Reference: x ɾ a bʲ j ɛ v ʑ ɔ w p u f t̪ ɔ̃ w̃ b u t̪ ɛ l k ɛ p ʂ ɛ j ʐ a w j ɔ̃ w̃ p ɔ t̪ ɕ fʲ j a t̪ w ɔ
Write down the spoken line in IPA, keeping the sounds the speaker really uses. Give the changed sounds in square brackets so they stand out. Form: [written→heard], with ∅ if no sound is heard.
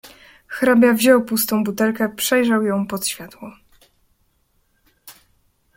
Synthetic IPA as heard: x ɾ a bʲ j [ɛ→a] v ʑ ɔ w p u [f→s] t̪ ɔ̃ w̃ b u t̪ ɛ l k ɛ p ʂ ɛ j ʐ a w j ɔ̃ w̃ p ɔ t̪ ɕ fʲ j a t̪ w ɔ